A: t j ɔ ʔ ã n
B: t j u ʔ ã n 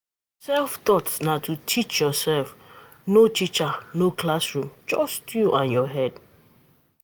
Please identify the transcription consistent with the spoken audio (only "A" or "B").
B